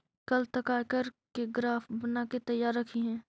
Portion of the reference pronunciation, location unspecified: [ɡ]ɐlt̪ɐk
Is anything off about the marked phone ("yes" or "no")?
yes